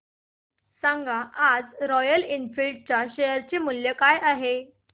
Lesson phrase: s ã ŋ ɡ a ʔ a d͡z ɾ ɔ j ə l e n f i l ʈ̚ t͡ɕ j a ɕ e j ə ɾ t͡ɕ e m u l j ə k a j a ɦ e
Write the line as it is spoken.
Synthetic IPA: s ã ŋ ɡ a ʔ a d͡z ɾ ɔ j ə l i n f i l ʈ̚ t͡ɕ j a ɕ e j ə ɾ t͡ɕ e m u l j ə k a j a ɦ e